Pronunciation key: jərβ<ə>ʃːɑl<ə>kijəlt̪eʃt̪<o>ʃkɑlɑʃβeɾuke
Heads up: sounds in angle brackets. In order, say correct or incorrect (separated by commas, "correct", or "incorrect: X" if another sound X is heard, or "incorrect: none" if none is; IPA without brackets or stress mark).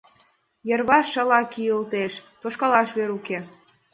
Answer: incorrect: ɑ, incorrect: ɑ, correct